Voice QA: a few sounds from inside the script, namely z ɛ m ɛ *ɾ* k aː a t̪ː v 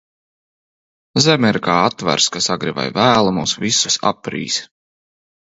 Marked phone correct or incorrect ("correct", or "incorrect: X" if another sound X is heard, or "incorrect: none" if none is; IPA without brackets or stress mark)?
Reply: correct